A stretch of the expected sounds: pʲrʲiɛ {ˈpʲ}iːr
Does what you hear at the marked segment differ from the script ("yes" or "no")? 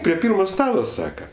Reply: no